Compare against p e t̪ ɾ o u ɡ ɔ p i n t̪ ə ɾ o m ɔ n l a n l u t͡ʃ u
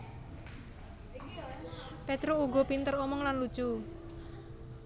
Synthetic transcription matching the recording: p e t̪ ɾ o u ɡ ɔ p i n t̪ ə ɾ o m ɔ ŋ l a n l u t͡ʃ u